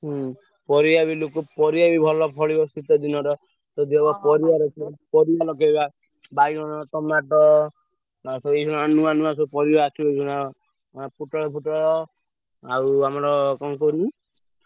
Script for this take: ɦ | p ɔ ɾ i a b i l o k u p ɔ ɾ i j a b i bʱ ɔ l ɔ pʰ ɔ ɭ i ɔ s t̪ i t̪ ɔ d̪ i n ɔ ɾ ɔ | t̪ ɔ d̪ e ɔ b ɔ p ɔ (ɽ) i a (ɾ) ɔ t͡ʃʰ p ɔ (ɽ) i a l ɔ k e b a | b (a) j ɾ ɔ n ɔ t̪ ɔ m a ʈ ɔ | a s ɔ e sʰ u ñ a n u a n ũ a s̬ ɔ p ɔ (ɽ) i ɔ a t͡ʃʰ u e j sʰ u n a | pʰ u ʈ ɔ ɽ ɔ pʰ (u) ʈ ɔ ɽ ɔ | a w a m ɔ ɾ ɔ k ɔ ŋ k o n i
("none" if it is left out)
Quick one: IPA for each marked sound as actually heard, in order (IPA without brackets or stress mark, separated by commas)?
ɾ, ɾ, ɾ, a, ɾ, u